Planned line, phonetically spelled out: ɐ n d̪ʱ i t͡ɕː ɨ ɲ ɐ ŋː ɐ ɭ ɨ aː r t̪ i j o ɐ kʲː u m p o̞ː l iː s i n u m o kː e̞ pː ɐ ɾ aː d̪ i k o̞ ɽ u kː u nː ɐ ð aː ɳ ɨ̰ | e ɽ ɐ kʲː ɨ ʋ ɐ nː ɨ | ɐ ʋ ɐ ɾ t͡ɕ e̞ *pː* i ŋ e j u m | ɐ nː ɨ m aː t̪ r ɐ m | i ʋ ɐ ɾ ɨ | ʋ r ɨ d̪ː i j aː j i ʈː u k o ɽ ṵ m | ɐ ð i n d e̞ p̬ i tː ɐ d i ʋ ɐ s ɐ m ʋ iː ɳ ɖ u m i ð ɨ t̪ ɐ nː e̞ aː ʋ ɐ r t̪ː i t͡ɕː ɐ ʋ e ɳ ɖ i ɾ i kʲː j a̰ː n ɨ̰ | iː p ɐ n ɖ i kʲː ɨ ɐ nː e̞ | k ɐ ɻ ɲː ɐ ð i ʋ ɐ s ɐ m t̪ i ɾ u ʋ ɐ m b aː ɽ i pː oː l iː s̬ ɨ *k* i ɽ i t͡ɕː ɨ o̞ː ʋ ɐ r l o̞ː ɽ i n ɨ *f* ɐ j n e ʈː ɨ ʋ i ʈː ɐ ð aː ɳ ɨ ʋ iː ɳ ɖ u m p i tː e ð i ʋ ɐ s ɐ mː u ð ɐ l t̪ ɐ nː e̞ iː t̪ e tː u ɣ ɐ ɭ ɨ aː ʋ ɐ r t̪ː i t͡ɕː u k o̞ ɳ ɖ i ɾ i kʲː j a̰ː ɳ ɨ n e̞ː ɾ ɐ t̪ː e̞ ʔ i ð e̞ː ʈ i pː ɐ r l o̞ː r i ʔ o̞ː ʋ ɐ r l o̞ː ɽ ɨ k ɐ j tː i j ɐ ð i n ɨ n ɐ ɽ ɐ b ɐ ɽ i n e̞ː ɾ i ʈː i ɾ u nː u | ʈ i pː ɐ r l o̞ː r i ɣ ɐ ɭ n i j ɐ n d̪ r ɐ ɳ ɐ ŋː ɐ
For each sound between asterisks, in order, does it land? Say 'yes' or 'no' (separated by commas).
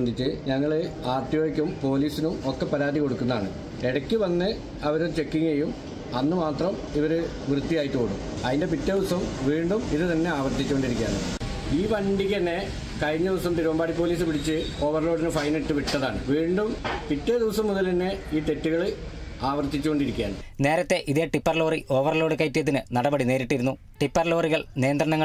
no, no, yes